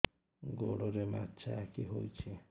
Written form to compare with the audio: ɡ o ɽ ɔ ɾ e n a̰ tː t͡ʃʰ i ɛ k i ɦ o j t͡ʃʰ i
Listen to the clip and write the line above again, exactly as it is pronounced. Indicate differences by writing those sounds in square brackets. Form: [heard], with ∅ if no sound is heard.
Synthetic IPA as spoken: ɡ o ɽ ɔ ɾ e [m] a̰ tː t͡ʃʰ [a] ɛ k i ɦ o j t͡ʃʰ i